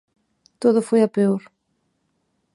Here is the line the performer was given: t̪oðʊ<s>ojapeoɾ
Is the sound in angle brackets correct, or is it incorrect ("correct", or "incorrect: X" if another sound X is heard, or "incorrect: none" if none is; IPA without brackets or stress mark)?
incorrect: f